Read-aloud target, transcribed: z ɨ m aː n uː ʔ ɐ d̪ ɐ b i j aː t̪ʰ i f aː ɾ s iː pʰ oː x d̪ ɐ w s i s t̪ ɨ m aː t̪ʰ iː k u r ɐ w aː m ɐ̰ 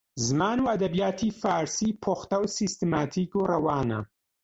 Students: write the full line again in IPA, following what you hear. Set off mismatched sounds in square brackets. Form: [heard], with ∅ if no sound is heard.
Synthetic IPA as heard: z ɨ m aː n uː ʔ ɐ d̪ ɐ b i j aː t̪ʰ i f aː ɾ s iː pʰ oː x [t̪] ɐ w s i s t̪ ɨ m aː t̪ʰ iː k u r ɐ w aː [n] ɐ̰